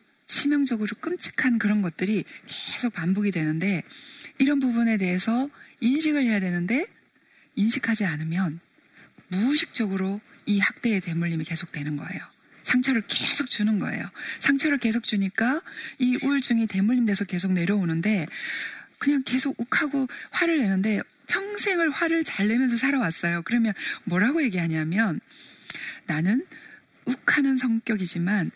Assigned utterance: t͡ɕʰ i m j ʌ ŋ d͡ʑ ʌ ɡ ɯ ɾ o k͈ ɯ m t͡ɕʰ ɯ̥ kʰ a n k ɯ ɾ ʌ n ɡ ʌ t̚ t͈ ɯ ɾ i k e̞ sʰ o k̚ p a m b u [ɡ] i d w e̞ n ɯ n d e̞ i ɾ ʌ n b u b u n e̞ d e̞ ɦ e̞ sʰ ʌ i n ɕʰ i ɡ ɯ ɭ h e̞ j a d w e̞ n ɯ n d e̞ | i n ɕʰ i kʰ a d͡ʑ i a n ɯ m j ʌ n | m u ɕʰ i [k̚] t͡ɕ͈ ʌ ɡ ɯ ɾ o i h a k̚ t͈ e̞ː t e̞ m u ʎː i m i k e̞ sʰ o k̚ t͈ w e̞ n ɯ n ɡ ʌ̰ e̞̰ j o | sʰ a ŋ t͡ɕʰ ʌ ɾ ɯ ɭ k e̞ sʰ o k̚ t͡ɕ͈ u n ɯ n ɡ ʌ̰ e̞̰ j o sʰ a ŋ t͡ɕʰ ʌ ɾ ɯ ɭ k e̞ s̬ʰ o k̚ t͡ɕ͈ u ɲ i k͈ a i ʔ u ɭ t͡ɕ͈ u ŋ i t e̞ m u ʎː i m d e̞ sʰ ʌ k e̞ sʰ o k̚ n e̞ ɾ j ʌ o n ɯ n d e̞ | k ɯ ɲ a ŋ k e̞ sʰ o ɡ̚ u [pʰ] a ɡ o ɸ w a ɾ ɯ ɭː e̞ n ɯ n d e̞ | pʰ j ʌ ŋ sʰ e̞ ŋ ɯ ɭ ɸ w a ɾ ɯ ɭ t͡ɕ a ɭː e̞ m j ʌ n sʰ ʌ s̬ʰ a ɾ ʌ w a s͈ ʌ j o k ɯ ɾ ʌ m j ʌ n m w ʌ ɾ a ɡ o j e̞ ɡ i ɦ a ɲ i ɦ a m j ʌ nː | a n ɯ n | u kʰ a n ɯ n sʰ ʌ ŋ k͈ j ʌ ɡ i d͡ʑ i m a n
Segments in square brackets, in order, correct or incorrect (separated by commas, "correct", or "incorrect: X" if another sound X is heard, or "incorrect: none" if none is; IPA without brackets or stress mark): correct, correct, incorrect: kʰ